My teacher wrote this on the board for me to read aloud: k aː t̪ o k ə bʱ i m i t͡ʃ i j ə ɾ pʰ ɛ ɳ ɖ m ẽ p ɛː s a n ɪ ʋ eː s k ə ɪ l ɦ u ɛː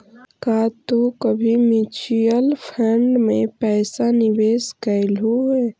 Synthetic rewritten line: k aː t̪ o k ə bʱ i m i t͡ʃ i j ə l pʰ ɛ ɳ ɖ m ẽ p ɛː s a n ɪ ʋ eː s k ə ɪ l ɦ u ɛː

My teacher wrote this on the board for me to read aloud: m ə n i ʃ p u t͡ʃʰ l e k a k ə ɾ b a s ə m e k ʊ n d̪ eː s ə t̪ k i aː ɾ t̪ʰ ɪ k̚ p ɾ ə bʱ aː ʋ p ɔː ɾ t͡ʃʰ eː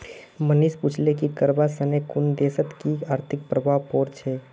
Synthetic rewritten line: m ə n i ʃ p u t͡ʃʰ l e k i k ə ɾ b a s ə n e k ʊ n d̪ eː s ə t̪ k i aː ɾ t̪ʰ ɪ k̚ p ɾ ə bʱ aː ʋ p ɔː ɾ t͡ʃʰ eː

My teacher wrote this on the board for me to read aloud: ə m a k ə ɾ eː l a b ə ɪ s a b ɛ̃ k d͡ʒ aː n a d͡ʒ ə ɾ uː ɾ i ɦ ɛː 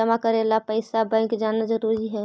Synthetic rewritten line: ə m a k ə ɾ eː l a p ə ɪ s a b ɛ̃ k d͡ʒ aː n a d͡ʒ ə ɾ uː ɾ i ɦ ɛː

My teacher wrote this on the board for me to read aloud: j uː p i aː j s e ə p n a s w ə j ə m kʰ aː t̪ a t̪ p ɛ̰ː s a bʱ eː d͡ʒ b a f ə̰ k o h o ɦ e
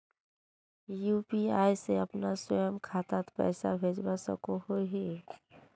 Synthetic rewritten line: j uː p i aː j s e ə p n a s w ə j ə m kʰ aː t̪ a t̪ p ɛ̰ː s a bʱ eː d͡ʒ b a s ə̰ k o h o ɦ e

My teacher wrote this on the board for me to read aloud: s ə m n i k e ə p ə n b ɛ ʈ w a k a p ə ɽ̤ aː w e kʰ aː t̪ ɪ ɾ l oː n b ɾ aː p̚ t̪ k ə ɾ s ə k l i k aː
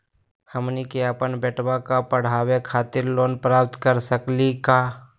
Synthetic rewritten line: h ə m n i k e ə p ə n b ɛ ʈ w a k a p ə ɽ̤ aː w e kʰ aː t̪ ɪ ɾ l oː n p ɾ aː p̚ t̪ k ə ɾ s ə k l i k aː

